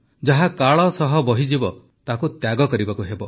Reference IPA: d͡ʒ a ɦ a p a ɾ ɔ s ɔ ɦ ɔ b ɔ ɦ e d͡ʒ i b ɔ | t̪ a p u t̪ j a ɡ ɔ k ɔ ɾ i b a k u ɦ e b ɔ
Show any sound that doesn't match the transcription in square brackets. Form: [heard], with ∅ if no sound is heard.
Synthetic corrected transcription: d͡ʒ a ɦ a [k] a [ɭ] ɔ s ɔ ɦ ɔ b ɔ ɦ [i] d͡ʒ i b ɔ | t̪ a [k] u t̪ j a ɡ ɔ k ɔ ɾ i b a k u ɦ e b ɔ